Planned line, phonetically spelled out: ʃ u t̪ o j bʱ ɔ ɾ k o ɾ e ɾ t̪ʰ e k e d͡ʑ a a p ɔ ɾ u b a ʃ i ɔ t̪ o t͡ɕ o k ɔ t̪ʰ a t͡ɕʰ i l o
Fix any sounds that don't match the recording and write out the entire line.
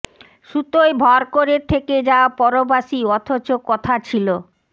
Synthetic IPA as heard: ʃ u t̪ o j bʱ ɔ ɾ k o ɾ e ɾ t̪ʰ e k e d͡ʑ a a p ɔ ɾ o b a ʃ i ɔ t̪ʰ o t͡ɕ o k ɔ t̪ʰ a t͡ɕʰ i l o